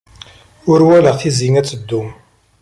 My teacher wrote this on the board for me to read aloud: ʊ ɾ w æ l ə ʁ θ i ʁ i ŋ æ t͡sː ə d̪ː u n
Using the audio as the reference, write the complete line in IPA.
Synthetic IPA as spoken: ʊ ɾ w æ l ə ʁ θ i z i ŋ æ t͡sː ə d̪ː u m